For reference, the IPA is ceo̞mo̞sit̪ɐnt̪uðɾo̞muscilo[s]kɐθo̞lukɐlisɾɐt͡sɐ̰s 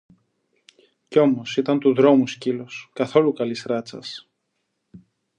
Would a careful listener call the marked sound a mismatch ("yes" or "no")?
no